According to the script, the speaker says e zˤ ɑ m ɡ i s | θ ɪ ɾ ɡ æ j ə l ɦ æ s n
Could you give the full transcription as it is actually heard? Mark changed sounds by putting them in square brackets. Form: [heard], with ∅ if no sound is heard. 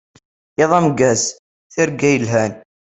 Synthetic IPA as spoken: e [ðˤ] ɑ m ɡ [æ] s | θ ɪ ɾ ɡ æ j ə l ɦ æ [∅] n